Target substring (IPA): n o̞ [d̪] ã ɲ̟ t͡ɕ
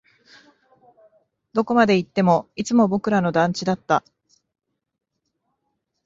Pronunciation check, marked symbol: correct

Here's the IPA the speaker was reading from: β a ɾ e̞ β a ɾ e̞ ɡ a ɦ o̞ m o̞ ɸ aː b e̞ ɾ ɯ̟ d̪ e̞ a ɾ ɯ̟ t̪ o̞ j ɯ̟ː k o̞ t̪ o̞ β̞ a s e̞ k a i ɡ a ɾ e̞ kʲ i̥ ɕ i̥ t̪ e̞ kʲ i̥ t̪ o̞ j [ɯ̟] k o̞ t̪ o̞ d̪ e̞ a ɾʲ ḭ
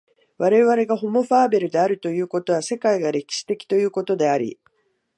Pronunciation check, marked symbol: incorrect: ɯ̟ː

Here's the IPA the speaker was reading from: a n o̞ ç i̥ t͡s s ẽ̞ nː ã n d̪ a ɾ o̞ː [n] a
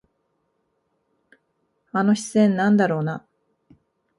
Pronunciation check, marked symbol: correct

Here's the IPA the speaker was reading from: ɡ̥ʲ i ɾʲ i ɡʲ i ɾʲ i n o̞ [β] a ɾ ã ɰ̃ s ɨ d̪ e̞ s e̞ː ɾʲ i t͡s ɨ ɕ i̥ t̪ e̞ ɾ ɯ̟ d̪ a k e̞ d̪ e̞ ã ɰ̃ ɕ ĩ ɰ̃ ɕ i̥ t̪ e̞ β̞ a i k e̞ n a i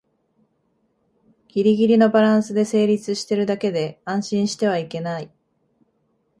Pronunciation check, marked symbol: incorrect: b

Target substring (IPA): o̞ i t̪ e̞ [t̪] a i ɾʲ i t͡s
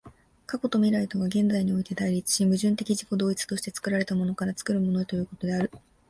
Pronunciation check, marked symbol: incorrect: d̪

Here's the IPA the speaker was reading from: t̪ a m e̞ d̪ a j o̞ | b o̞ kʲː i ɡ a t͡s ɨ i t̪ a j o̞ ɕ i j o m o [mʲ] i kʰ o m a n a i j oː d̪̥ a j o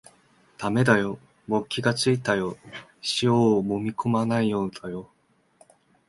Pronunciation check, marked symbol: correct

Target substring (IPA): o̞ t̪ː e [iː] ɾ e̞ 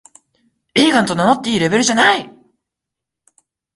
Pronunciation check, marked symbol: correct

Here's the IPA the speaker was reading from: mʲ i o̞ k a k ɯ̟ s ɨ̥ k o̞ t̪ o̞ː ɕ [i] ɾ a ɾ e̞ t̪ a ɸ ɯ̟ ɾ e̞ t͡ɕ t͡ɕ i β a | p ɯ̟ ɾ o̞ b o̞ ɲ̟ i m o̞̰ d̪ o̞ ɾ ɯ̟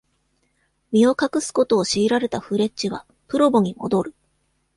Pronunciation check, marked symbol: incorrect: iː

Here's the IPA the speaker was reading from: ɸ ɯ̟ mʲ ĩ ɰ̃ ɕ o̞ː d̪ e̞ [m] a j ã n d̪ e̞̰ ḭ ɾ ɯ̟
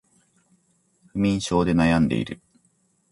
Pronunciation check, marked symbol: incorrect: n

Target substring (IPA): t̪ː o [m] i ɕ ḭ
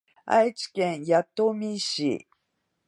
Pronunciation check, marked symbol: correct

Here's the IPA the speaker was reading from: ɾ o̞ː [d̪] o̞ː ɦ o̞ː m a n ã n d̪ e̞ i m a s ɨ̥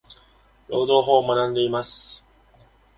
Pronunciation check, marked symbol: correct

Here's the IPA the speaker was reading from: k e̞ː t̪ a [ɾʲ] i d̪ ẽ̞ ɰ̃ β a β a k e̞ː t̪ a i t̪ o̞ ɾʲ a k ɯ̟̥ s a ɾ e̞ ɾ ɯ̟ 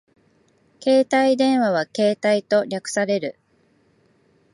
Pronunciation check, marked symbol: incorrect: none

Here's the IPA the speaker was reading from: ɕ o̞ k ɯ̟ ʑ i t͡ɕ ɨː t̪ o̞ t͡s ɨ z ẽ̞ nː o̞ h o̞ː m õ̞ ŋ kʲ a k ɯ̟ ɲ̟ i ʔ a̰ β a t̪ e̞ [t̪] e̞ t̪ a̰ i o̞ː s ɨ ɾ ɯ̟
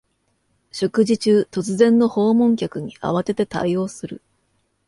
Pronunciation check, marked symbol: correct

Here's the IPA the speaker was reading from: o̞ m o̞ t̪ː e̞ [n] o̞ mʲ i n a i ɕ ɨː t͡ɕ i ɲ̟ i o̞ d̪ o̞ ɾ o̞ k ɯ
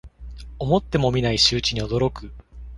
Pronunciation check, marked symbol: incorrect: m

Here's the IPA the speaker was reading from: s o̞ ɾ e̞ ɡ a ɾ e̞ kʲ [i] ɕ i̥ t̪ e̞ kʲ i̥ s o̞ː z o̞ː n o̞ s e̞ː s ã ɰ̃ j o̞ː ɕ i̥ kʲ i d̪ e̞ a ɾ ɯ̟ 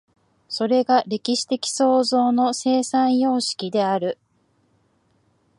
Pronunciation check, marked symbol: correct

